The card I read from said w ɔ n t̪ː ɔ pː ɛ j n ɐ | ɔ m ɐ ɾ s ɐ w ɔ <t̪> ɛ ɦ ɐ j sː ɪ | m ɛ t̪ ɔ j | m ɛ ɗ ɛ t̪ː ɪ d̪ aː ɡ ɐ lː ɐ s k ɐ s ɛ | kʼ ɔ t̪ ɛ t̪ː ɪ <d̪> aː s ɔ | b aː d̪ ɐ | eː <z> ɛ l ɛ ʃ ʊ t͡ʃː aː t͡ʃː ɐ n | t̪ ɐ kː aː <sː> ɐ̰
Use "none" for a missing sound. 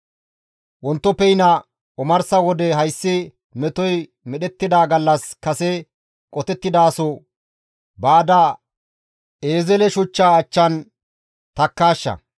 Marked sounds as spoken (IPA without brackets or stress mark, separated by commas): d̪, d̪, z, ʃː